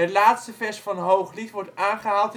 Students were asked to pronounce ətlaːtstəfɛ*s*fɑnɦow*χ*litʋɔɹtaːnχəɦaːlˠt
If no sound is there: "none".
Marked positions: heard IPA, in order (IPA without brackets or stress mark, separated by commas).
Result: s, χ